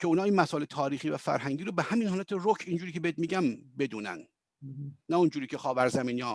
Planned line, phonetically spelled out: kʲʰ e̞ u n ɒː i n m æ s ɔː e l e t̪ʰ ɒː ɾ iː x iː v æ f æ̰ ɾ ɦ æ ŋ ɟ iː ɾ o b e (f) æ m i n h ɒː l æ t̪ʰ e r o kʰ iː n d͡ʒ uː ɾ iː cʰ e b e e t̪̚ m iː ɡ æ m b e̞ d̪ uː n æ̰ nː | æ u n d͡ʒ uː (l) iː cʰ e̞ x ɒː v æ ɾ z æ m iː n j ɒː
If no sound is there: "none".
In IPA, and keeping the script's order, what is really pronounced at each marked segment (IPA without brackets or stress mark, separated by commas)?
h, ɾ